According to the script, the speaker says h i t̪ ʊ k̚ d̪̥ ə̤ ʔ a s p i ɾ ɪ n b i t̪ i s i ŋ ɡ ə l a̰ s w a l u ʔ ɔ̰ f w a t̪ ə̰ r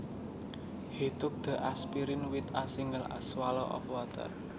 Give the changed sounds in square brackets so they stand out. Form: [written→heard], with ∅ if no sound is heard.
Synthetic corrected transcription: h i t̪ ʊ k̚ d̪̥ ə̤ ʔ a s p i ɾ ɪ n [b→w] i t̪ [i→a] s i ŋ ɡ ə l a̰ s w a l [u→ɔ] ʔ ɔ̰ f w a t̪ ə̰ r

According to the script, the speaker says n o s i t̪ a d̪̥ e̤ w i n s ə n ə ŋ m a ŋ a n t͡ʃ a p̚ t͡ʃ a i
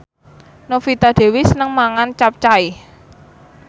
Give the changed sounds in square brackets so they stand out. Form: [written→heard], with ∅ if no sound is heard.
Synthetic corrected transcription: n o [s→f] i t̪ a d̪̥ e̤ w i [n→∅] s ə n ə ŋ m a ŋ a n t͡ʃ a p̚ t͡ʃ a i

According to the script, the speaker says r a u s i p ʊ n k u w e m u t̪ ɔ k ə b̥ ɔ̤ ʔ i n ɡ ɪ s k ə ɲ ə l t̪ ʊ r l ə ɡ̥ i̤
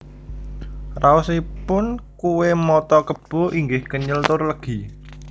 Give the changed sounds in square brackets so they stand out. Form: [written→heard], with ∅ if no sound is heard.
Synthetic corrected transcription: r a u s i p ʊ n k u w e m [u→ɔ] t̪ ɔ k ə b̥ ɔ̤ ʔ i [n→ŋ] ɡ ɪ [s→h] k ə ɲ ə l t̪ ʊ r l ə ɡ̥ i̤

